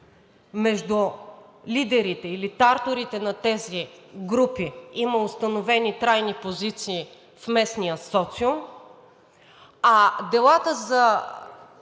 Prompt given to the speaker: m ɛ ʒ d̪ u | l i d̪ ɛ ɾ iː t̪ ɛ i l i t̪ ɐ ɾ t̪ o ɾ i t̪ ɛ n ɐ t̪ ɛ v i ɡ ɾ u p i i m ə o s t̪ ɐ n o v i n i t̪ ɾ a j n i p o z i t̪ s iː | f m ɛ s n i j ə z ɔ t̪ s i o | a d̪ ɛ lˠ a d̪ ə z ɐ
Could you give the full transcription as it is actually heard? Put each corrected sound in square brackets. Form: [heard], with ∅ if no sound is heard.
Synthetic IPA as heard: m ɛ ʒ d̪ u | l i d̪ ɛ ɾ [i] t̪ ɛ i l i t̪ [a] ɾ t̪ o ɾ i t̪ ɛ n ɐ t̪ ɛ [z] i ɡ ɾ u p i i m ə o s t̪ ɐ n o v [ɛ] n i t̪ ɾ a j n i p o z i t̪ s iː | f m ɛ s n i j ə [s] ɔ t̪ s i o | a d̪ ɛ lˠ a [t̪] ə z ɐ